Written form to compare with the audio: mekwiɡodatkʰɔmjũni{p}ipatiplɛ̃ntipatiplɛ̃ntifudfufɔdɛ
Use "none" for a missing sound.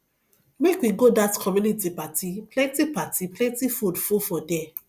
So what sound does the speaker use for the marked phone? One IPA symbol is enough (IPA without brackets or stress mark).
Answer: t